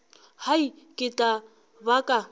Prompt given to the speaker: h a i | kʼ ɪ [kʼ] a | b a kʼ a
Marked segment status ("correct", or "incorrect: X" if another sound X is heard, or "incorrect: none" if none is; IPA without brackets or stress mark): incorrect: tʼ